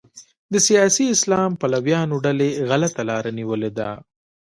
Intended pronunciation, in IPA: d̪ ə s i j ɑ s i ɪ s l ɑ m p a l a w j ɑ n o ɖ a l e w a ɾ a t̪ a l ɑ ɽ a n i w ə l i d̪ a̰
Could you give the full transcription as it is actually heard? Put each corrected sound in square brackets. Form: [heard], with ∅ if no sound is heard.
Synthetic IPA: d̪ ə s i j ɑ s i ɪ s l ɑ m p a l a w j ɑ n o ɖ a l e [ɣ] a [l] a t̪ a l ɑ [ɾ] a n i w ə l [e] d̪ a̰